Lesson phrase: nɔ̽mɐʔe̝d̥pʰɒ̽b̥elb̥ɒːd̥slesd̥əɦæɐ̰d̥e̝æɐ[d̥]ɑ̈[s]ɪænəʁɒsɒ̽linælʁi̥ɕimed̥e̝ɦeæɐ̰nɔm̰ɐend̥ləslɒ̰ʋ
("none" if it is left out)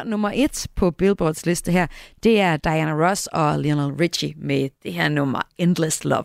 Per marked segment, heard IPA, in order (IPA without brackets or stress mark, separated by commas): d̥, none